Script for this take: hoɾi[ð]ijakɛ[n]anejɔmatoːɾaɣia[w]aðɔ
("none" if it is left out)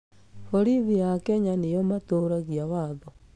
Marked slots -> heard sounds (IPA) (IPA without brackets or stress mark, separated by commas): ð, ɲ, w